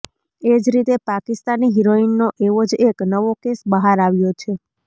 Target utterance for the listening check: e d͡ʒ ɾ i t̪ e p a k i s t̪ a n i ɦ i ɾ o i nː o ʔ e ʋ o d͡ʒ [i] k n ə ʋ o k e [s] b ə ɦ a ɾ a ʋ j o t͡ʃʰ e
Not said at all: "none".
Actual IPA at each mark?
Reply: e, s

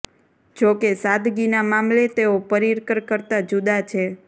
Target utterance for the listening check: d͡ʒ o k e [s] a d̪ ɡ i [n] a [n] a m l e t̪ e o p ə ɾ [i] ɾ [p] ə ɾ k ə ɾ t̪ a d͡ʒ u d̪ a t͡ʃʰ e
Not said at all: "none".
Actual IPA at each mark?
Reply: s, n, m, i, k

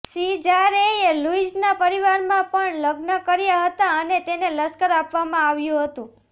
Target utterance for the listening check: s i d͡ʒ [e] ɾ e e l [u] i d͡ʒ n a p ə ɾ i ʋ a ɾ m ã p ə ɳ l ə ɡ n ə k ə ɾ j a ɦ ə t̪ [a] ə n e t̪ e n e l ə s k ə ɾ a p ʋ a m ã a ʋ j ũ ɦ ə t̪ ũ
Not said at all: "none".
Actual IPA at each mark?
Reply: a, u, a

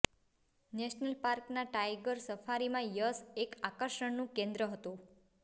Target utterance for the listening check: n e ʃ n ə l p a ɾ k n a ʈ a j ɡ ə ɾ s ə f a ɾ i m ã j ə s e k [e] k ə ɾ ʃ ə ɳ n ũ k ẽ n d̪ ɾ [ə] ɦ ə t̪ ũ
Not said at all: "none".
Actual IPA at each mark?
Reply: a, ə

